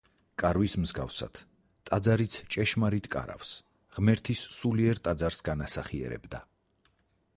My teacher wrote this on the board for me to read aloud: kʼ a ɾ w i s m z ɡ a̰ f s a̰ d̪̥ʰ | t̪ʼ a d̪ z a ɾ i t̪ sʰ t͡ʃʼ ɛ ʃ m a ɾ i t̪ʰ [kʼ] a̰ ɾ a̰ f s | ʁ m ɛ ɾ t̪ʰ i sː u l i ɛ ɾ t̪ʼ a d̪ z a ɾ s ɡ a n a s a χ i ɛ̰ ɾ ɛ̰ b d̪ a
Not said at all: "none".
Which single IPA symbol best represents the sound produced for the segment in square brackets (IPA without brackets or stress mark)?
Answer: kʼ